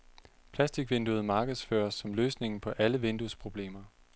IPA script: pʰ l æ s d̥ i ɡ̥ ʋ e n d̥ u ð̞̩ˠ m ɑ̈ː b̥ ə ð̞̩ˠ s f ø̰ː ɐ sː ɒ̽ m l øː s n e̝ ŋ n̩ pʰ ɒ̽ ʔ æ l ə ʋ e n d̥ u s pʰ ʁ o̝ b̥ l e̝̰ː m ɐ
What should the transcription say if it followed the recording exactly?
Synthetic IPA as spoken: pʰ l æ s d̥ i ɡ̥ ʋ e n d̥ u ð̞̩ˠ m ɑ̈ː ɡ̥ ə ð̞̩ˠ s f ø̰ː ɐ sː ɒ̽ m l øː s n e̝ ŋ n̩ pʰ ɒ̽ ʔ æ l ə ʋ e n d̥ u s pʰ ʁ o̝ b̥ l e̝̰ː m ɐ